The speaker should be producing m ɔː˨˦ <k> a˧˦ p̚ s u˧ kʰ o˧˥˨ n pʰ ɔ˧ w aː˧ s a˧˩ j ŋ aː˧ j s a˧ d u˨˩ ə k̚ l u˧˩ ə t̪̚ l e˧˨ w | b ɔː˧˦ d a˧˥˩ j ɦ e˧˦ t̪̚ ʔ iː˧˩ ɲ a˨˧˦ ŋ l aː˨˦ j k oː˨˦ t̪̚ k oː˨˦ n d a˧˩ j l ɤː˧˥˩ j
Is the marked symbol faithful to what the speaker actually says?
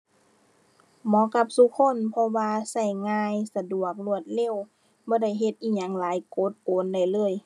yes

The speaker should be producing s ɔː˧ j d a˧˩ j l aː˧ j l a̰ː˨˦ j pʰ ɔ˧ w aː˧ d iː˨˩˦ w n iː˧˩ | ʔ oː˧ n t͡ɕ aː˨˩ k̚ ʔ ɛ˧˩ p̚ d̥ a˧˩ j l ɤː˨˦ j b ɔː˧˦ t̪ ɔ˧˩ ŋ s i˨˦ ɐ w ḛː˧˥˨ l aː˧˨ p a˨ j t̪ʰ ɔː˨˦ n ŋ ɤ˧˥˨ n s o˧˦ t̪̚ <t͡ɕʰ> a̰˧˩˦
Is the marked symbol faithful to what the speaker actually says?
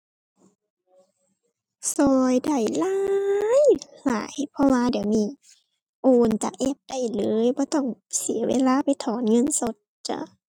no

